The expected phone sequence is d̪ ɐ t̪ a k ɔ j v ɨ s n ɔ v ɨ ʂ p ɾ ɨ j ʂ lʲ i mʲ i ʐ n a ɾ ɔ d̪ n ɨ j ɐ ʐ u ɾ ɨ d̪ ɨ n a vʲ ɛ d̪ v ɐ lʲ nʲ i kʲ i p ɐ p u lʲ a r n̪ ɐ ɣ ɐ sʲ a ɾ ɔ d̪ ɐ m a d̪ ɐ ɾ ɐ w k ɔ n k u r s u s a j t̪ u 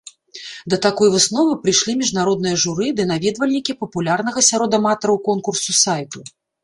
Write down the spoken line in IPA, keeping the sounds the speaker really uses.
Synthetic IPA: d̪ ɐ t̪ a k ɔ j v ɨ s n ɔ v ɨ p ɾ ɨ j ʂ lʲ i mʲ i ʐ n a ɾ ɔ d̪ n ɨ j ɐ ʐ u ɾ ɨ d̪ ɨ n a vʲ ɛ d̪ v ɐ lʲ nʲ i kʲ i p ɐ p u lʲ a r n̪ ɐ ɣ ɐ sʲ a ɾ ɔ d̪ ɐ m a t̪ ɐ ɾ ɐ w k ɔ n k u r s u s a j t̪ u

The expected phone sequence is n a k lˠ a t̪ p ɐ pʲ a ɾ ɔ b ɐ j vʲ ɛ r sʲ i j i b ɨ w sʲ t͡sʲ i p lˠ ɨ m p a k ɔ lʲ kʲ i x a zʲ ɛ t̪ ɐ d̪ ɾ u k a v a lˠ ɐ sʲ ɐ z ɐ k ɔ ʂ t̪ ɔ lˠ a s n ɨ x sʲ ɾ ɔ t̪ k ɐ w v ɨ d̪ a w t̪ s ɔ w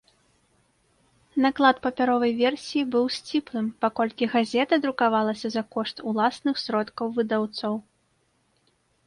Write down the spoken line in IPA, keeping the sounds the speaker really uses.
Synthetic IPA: n a k lˠ a t̪ p ɐ pʲ a ɾ ɔ v ɐ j vʲ ɛ r sʲ i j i b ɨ w sʲ t͡sʲ i p lˠ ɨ m p a k ɔ lʲ kʲ i ɣ a zʲ ɛ t̪ ɐ d̪ ɾ u k a v a lˠ ɐ sʲ ɐ z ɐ k ɔ ʂ t̪ u lˠ a s n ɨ x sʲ ɾ ɔ t̪ k ɐ w v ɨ d̪ a w t̪ s ɔ w

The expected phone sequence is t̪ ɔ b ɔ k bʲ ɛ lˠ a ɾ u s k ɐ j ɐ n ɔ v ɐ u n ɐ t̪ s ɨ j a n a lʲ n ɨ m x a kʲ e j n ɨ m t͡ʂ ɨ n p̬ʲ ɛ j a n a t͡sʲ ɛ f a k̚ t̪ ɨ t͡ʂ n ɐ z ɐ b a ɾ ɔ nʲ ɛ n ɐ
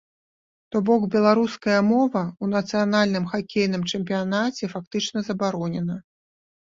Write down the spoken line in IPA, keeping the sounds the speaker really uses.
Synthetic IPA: t̪ ɔ b ɔ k bʲ ɛ lˠ a ɾ u s k ɐ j ɐ m ɔ v ɐ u n ɐ t̪ s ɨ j a n a lʲ n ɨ m x a kʲ e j n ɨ m t͡ʂ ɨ m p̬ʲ i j a n a t͡sʲ ɛ f a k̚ t̪ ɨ t͡ʂ n ɐ z ɐ b a ɾ ɔ nʲ ɛ n ɐ

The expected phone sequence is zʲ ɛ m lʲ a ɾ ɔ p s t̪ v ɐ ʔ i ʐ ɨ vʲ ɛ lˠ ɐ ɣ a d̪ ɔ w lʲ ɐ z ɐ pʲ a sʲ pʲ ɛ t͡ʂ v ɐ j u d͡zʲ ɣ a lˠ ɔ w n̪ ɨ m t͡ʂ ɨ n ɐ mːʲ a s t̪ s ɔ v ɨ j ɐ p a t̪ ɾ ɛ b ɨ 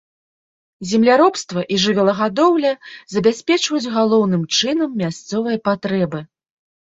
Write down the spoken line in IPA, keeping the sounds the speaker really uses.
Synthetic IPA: zʲ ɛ m lʲ a ɾ ɔ p s t̪ v ɐ ʔ i ʐ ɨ vʲ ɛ lˠ ɐ ɣ a d̪ ɔ w lʲ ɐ z ɐ bʲ a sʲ pʲ ɛ t͡ʂ v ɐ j u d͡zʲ ɣ a lˠ ɔ w n̪ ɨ m t͡ʂ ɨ n ɐ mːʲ a s t̪ s ɔ v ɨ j ɐ p a t̪ ɾ ɛ b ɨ

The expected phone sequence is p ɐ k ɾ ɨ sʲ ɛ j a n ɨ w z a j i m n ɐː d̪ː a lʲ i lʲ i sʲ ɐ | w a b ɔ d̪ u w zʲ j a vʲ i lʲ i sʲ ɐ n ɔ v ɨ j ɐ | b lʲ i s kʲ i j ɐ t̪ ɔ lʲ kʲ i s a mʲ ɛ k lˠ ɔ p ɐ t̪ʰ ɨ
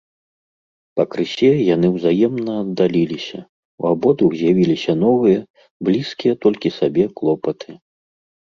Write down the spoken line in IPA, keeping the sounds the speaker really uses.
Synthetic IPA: p ɐ k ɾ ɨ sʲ ɛ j a n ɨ w z a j ɛ m n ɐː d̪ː a lʲ i lʲ i sʲ ɐ | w a b ɔ d̪ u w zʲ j a vʲ i lʲ i sʲ ɐ n ɔ v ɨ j ɐ | b lʲ i s kʲ i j ɐ t̪ ɔ lʲ kʲ i s a bʲ ɛ k lˠ ɔ p ɐ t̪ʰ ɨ

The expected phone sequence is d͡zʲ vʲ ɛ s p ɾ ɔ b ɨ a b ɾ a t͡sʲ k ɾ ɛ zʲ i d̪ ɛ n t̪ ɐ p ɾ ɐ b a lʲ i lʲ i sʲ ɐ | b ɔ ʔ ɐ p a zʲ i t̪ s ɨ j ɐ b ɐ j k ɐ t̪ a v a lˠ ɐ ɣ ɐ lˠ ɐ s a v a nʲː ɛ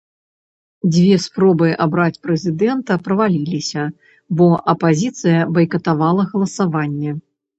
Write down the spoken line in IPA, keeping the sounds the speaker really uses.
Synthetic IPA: d͡zʲ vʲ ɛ s p ɾ ɔ b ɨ a b ɾ a t͡sʲ p ɾ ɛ zʲ i d̪ ɛ n t̪ ɐ p ɾ ɐ v a lʲ i lʲ i sʲ ɐ | b ɔ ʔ ɐ p a zʲ i t̪ s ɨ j ɐ b ɐ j k ɐ t̪ a v a lˠ ɐ ɣ ɐ lˠ ɐ s a v a nʲː ɛ

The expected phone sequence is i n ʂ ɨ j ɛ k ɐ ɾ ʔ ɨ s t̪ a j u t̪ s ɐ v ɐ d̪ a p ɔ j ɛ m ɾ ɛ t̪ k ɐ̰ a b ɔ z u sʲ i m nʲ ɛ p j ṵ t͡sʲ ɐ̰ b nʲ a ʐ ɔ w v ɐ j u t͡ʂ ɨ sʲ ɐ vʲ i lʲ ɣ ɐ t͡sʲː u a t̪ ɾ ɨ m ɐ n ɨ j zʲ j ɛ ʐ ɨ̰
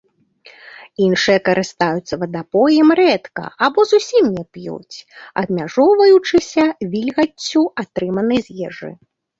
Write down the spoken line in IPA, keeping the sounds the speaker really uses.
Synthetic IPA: i n ʂ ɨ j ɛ k ɐ ɾ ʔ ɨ s t̪ a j u t̪ s ɐ v ɐ d̪ a p ɔ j ɛ m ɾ ɛ t̪ k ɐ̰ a b ɔ z u sʲ i m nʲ ɛ p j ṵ t͡sʲ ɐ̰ b mʲ a ʐ ɔ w v ɐ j u t͡ʂ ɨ sʲ ɐ vʲ i lʲ ɣ ɐ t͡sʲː u a t̪ ɾ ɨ m ɐ n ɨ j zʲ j ɛ ʐ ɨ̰

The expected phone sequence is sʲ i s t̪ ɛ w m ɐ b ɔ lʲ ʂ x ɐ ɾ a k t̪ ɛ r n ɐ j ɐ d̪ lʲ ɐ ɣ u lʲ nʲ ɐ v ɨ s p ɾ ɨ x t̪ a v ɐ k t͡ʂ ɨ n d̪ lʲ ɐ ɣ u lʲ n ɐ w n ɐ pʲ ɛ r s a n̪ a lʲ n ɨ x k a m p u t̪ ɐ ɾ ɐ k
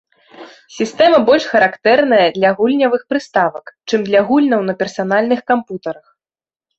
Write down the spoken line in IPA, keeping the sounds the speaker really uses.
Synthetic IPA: sʲ i s t̪ ɛ m ɐ b ɔ lʲ ʂ x ɐ ɾ a k t̪ ɛ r n ɐ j ɐ d̪ lʲ ɐ ɣ u lʲ nʲ ɐ v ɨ x p ɾ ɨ s t̪ a v ɐ k t͡ʂ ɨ m d̪ lʲ ɐ ɣ u lʲ n ɐ w n ɐ pʲ ɛ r s a n̪ a lʲ n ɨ x k a m p u t̪ ɐ ɾ ɐ x

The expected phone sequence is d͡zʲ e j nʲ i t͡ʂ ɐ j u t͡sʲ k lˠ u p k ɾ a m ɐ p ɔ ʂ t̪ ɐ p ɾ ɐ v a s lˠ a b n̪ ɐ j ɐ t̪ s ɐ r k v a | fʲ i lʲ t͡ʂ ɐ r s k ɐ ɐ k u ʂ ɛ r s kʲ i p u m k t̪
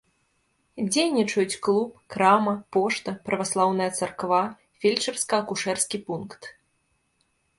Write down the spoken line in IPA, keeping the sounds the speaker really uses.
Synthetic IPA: d͡zʲ e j nʲ i t͡ʂ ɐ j u t͡sʲ k lˠ u p k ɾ a m ɐ p ɔ ʂ t̪ ɐ p ɾ ɐ v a s lˠ a w n̪ ɐ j ɐ t̪ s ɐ r k v a | fʲ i lʲ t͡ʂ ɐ r s k ɐ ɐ k u ʂ ɛ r s kʲ i p u n k t̪

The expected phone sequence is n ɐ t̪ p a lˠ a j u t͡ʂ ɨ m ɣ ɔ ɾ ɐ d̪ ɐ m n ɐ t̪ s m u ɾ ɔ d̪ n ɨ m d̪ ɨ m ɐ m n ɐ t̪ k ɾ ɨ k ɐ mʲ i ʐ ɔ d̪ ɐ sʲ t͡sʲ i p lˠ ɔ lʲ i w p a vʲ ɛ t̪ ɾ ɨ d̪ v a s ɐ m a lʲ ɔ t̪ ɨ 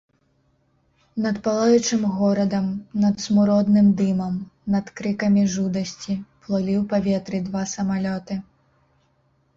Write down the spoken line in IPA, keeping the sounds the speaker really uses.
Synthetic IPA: n ɐ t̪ p a lˠ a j u t͡ʂ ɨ m ɣ ɔ ɾ ɐ d̪ ɐ m n ɐ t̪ s m u ɾ ɔ d̪ n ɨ m d̪ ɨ m ɐ m n ɐ t̪ k ɾ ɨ k ɐ mʲ i ʐ u d̪ ɐ sʲ t͡sʲ i p lˠ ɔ lʲ i w p a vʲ ɛ t̪ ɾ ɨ d̪ v a s ɐ m a lʲ ɔ t̪ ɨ

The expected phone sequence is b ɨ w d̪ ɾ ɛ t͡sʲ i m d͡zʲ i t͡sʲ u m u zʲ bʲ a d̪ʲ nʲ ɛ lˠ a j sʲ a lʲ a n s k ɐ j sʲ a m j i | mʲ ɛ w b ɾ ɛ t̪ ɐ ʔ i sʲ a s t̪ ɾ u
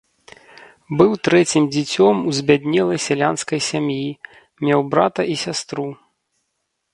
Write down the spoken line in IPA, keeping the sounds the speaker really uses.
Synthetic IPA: b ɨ w t̪ ɾ ɛ t͡sʲ i m d͡zʲ i t͡sʲ ɔ m u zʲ bʲ a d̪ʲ nʲ ɛ lˠ ɐ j sʲ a lʲ a n s k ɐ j sʲ a m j i | mʲ ɛ w b ɾ a t̪ ɐ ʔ i sʲ a s t̪ ɾ u

